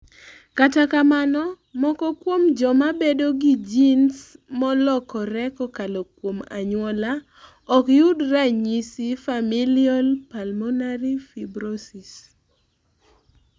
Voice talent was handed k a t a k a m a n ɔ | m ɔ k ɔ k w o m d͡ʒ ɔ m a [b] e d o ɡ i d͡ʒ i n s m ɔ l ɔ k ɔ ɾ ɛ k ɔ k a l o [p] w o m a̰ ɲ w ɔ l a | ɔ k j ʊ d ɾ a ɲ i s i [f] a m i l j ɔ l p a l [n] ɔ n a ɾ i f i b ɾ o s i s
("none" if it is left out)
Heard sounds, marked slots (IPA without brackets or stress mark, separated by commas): b, k, f, m